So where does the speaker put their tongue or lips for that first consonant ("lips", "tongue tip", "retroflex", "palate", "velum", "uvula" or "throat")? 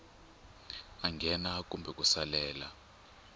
velum